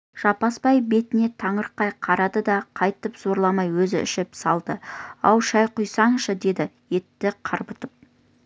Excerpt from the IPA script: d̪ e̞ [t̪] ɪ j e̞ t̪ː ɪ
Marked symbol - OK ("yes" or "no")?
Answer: no